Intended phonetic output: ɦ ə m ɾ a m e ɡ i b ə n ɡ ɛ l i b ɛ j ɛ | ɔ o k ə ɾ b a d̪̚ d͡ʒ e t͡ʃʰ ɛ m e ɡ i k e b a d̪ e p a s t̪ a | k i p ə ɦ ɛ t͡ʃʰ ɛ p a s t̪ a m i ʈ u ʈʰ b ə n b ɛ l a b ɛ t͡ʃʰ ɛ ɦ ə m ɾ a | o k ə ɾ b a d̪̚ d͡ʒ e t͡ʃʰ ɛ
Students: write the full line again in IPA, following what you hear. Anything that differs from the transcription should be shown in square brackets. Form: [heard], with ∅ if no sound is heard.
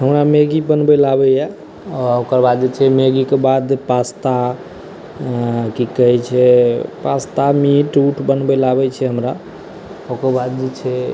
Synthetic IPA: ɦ ə m ɾ a m e ɡ i b ə n [b] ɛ l [a] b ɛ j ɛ | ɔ o k ə ɾ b a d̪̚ d͡ʒ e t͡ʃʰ ɛ m e ɡ i k e b a d̪ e p a s t̪ a | k i [k] ə ɦ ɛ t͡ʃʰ ɛ p a s t̪ a m i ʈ u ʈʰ b ə n b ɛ l a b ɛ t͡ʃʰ ɛ ɦ ə m ɾ a | o k ə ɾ b a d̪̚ d͡ʒ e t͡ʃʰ ɛ